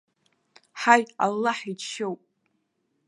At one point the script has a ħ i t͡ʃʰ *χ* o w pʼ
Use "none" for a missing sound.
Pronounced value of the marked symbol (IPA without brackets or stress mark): ʃ